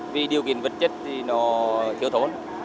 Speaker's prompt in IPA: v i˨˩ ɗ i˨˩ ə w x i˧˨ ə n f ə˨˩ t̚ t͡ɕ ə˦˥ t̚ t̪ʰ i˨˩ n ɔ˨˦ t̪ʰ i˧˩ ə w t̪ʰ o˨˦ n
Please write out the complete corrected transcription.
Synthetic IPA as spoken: v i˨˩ ɗ i˨˩ ə w k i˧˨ ə n v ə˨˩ t̚ t͡ɕ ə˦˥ t̚ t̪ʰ i˨˩ n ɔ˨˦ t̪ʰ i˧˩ ə w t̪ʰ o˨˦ n

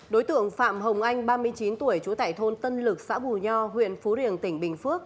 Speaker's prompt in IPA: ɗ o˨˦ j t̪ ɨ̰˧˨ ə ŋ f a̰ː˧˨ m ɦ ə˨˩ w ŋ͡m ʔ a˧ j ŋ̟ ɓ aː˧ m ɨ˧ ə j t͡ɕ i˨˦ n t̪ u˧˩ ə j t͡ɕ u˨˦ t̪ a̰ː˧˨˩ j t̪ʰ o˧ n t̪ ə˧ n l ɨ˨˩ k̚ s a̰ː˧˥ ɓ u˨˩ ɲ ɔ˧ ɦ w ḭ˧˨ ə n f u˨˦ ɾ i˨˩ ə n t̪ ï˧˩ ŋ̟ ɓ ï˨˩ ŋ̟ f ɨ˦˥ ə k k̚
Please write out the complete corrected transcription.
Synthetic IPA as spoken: ɗ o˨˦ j t̪ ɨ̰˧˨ ə ŋ f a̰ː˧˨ m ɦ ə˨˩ w ŋ͡m ʔ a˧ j ŋ̟ ɓ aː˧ m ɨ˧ ə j t͡ɕ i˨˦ n t̪ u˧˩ ə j t͡ɕ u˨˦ t̪ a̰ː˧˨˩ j t̪ʰ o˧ n t̪ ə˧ n l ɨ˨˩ k̚ s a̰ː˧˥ ɓ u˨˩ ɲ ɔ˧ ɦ w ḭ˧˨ ə n f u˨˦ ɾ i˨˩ ə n t̪ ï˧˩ ŋ̟ ɓ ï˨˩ ŋ̟ f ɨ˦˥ ə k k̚

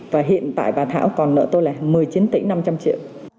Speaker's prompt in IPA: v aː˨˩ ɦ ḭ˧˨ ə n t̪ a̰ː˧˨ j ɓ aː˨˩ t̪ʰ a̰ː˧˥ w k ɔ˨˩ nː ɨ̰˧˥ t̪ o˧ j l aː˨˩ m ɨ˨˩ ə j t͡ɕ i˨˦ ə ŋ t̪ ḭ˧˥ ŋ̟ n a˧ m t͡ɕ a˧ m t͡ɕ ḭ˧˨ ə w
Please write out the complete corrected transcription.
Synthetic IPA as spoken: v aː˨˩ ɦ ḭ˧˨ ə n t̪ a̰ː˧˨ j ɓ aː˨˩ t̪ʰ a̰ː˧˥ w k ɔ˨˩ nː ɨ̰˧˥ t̪ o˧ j l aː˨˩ m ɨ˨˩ ə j t͡ɕ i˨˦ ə n t̪ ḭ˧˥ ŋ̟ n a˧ m t͡ɕ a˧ m t͡ɕ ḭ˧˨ ə w

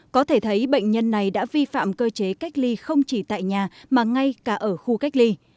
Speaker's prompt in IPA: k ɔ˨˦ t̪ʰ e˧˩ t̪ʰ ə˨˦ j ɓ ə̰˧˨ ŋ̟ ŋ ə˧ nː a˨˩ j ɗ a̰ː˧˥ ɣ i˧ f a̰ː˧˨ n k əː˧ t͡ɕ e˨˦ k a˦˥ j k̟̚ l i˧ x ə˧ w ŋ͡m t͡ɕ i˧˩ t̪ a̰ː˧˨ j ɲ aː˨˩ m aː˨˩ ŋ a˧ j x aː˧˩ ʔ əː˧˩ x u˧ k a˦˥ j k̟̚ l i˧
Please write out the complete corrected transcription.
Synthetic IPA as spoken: k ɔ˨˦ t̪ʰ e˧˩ t̪ʰ ə˨˦ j ɓ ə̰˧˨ ŋ̟ ɲ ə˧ nː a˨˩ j ɗ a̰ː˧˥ v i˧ f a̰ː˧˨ m k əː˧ t͡ɕ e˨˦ k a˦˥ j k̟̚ l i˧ x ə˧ w ŋ͡m t͡ɕ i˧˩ t̪ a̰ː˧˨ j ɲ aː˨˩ m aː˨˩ ŋ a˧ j k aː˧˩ ʔ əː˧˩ x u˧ k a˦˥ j k̟̚ l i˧

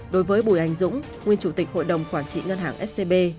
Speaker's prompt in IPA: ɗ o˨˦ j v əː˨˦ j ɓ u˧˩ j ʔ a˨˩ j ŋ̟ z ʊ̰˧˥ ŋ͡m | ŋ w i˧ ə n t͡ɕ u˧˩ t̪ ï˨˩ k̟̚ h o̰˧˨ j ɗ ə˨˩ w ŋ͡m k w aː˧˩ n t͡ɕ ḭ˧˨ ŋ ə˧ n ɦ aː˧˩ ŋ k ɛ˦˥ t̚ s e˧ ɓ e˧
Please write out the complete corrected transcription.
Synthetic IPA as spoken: ɗ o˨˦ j v əː˨˦ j ɓ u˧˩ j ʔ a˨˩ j ŋ̟ z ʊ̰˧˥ ŋ͡m | ŋ w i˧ ə n t͡ɕ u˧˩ t̪ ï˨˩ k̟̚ h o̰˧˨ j ɗ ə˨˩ w ŋ͡m k w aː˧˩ n t͡ɕ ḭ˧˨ ŋ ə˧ n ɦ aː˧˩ ŋ ʔ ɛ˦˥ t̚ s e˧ ɓ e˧

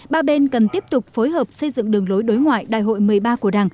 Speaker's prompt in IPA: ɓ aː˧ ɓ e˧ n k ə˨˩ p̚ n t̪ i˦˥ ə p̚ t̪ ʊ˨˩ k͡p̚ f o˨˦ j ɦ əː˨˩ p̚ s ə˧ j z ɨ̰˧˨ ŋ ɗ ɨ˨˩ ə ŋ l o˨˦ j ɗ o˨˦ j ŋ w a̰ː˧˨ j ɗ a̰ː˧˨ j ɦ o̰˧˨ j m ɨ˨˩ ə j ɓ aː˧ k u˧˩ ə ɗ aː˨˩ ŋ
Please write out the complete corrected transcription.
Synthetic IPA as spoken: ɓ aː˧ ɓ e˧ n k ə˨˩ n t̪ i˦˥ ə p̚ t̪ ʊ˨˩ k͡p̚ f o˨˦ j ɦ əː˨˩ p̚ s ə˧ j z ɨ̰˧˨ ŋ ɗ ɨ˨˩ ə ŋ l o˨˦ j ɗ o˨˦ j ŋ w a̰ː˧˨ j ɗ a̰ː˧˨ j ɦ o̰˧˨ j m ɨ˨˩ ə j ɓ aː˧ k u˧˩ ə ɗ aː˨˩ ŋ

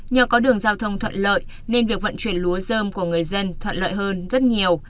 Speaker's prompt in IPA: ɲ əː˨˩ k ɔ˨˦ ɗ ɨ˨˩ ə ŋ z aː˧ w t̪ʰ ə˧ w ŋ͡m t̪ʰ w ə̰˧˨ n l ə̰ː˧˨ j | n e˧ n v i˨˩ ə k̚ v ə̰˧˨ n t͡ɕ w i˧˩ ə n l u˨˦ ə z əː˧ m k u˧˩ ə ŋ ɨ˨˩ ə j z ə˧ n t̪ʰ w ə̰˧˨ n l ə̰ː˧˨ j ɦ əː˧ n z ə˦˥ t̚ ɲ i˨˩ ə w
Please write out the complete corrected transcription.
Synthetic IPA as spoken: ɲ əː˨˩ k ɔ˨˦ ɗ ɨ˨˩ ə ŋ z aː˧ w t̪ʰ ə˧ w ŋ͡m t̪ʰ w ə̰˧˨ n l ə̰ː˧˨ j | n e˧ n v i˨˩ ə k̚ v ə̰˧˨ n t͡ɕ w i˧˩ ə n l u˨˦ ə z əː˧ m k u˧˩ ə ŋ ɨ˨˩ ə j z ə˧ n t̪ʰ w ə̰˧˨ n l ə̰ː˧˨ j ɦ əː˧ n z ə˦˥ t̚ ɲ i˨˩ ə w

